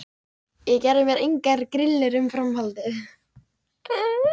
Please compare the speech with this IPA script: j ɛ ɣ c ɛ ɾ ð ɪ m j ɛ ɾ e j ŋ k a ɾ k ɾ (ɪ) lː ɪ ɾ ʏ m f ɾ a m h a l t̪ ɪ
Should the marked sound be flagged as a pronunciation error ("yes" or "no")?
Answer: no